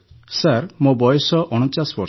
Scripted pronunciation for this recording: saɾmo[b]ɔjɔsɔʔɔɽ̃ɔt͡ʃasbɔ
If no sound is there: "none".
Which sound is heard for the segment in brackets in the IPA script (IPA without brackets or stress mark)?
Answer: b